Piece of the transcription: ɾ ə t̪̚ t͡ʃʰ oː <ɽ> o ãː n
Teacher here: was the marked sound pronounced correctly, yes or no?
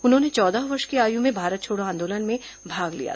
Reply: yes